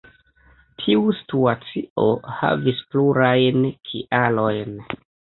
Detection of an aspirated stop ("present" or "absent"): present